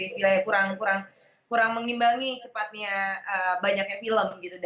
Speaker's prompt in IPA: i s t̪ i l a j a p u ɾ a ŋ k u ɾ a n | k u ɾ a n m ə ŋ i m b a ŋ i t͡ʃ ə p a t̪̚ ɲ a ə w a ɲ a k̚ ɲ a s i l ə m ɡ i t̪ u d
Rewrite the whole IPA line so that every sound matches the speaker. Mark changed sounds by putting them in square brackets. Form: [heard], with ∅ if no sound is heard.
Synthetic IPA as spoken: i s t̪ i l a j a [k] u ɾ a ŋ k u ɾ a [ŋ] | k u ɾ a [ŋ] m ə ŋ i m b a ŋ i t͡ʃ ə p a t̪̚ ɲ a ə [b] a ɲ a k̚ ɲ a [f] i l ə m ɡ i t̪ u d

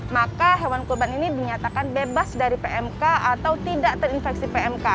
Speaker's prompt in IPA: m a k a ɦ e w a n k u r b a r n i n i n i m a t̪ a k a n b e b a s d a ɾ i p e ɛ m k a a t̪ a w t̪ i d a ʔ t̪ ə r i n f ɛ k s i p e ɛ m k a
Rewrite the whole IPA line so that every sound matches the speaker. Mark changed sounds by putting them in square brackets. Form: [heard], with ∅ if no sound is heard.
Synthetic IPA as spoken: m a k a ɦ e w a n k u r b a [∅] n i n i [d] i [ɲ] a t̪ a k a n b e b a s d a ɾ i p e ɛ m k a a t̪ a w t̪ i d a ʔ t̪ ə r i n f ɛ k s i p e ɛ m k a

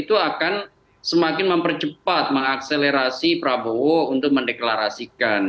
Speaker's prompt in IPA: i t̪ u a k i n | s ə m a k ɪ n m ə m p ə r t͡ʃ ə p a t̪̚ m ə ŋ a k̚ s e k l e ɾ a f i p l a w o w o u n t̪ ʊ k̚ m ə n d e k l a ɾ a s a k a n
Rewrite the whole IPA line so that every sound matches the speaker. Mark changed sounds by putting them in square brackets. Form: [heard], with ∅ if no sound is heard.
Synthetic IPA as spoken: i t̪ u a k [a] n | s ə m a k ɪ n m ə m p ə r t͡ʃ ə p a t̪̚ m ə ŋ a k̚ s e [∅] l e ɾ a [s] i p [ɾ] a [b] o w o u n t̪ ʊ k̚ m ə n d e k l a ɾ a s [i] k a n

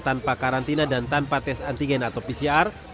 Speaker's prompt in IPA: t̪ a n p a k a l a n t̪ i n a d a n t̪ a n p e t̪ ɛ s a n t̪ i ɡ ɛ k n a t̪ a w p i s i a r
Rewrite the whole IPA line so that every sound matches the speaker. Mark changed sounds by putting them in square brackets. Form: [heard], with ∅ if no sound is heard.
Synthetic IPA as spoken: t̪ a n p a k a [ɾ] a n t̪ i n a d a n t̪ a n p [a] t̪ ɛ s a n t̪ i ɡ ɛ [∅] n a t̪ a w p i s i a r

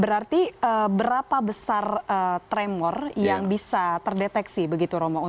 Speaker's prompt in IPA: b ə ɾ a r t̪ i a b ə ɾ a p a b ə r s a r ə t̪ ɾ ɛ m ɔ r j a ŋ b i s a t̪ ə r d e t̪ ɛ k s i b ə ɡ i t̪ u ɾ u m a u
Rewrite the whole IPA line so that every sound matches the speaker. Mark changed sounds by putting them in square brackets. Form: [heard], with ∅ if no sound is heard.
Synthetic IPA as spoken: b ə ɾ a r t̪ i [ə] b ə ɾ a p a b ə [∅] s a r ə t̪ ɾ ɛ m ɔ r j a ŋ b i s a t̪ ə r d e t̪ ɛ k s i b ə ɡ i t̪ u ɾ [o] m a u

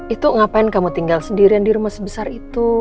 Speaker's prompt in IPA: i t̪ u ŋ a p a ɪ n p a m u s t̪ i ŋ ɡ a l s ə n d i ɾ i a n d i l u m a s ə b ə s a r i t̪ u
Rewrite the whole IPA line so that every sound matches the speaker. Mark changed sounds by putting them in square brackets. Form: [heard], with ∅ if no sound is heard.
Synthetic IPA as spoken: i t̪ u ŋ a p a ɪ n [k] a m u [∅] t̪ i ŋ ɡ a l s ə n d i ɾ i a n d i [ɾ] u m a s ə b ə s a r i t̪ u

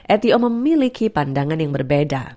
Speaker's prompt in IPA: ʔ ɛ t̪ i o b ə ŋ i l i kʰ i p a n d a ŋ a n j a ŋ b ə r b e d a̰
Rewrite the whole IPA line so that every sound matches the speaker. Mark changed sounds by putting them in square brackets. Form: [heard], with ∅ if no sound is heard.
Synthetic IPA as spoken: ʔ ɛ t̪ i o [m] ə [m] i l i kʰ i p a n d a ŋ a n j a ŋ b ə r b e d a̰

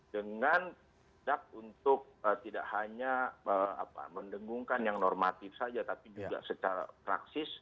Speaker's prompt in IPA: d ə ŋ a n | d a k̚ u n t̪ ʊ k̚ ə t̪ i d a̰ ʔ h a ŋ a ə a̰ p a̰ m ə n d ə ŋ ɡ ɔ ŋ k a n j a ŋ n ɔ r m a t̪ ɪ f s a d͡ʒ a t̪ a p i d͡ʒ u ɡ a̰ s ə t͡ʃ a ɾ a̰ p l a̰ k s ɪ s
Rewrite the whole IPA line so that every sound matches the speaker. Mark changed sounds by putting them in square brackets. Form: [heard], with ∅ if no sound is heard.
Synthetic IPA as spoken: d ə ŋ a n | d a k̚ u n t̪ ʊ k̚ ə t̪ i d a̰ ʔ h a [ɲ] a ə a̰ p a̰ m ə n d ə ŋ ɡ [u] ŋ k a n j a ŋ n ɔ r m a t̪ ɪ f s a d͡ʒ a t̪ a p i d͡ʒ u ɡ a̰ s ə t͡ʃ a ɾ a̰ p [ɾ] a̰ k s ɪ s

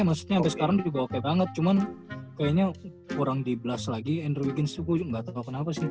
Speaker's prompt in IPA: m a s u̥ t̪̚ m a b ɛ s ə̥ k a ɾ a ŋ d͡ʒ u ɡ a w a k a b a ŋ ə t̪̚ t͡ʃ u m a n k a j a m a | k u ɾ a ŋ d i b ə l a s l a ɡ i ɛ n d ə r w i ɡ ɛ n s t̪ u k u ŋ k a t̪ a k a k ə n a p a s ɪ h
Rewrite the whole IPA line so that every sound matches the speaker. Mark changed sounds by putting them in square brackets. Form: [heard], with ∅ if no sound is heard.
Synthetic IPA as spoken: m a s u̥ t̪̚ [ɲ] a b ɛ s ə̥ k a ɾ a ŋ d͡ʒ u ɡ a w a k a b a ŋ ə t̪̚ t͡ʃ u m a n k a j a [ɲ] a | k u ɾ a ŋ d i b ə l a s l a ɡ i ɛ n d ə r w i ɡ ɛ n s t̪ u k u ŋ [ɡ] a t̪ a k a k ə n a p a s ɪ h

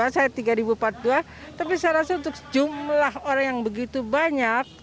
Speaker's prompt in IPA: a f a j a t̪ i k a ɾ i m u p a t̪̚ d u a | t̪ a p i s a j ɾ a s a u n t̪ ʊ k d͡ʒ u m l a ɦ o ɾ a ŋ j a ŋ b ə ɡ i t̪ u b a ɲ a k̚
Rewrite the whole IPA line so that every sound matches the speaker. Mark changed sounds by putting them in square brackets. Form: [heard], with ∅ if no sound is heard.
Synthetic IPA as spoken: a [s] a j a t̪ i [ɡ] a ɾ i [b] u p a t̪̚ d u a | t̪ a p i s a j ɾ a s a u n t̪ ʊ k d͡ʒ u m l a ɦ o ɾ a ŋ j a ŋ b ə ɡ i t̪ u b a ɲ a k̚

